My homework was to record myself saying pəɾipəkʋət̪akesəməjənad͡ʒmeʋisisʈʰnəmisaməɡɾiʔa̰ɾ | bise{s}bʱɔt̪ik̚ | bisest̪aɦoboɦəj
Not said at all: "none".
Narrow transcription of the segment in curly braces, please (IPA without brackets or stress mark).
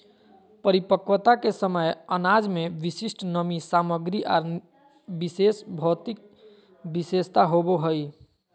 s